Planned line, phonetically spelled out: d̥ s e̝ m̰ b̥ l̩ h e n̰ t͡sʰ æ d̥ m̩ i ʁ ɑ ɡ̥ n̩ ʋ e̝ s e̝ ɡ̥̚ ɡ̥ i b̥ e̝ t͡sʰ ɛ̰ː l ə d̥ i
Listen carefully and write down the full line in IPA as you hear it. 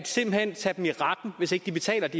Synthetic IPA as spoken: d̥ s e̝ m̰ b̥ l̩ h e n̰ t͡sʰ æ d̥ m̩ i ʁ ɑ d̥ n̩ ʋ e̝ s e̝ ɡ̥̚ d̥ i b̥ e̝ t͡sʰ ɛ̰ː l ɐ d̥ i